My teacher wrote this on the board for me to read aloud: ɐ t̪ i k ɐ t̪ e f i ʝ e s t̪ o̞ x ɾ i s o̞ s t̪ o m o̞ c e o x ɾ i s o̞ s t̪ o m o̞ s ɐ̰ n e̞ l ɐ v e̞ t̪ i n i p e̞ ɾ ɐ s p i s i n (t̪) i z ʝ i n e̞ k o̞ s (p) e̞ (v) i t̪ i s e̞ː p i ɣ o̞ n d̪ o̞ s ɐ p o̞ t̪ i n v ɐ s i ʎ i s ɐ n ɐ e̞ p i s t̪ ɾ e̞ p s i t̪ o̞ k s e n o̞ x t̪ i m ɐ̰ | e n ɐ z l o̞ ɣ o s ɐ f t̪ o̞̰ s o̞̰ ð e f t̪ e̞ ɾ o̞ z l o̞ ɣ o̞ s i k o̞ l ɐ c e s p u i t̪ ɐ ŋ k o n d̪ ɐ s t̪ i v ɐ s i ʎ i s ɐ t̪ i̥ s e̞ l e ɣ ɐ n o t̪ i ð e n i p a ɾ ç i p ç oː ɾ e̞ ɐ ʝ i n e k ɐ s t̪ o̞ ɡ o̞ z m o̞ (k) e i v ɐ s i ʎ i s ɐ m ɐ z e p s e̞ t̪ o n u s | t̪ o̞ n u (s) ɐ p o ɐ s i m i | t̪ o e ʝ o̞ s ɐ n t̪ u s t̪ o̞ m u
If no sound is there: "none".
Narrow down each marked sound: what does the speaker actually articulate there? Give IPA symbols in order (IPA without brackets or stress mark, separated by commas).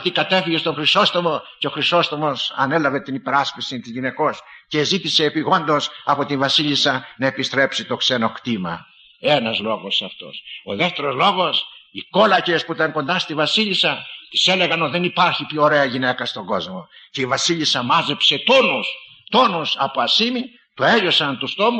t̪, c, z, c, s